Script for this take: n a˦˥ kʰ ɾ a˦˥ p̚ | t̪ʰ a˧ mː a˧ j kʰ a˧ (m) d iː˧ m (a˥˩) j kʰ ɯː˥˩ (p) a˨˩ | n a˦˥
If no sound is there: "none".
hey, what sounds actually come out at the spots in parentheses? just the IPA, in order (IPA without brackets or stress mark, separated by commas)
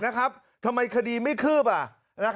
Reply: none, a˥˩, p